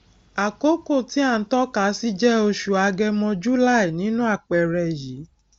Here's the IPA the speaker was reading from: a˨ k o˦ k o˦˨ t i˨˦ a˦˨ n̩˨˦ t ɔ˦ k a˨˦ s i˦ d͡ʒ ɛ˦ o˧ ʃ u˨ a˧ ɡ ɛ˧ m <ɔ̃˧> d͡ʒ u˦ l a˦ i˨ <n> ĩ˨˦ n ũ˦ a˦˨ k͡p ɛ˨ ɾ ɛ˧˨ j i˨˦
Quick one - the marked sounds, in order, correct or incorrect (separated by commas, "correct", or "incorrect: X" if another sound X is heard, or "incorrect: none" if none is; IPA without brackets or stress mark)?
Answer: correct, correct